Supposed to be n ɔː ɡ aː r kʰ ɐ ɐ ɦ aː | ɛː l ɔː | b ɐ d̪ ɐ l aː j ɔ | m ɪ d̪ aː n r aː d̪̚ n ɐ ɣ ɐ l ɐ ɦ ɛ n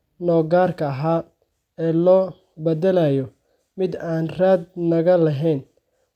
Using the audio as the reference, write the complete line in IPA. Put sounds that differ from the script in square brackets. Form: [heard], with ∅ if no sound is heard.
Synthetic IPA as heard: n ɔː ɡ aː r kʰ ɐ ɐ ɦ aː | ɛː l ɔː | b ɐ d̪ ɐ l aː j ɔ | m ɪ d̪ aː n r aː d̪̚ n ɐ ɣ ɐ l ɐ ɦ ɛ n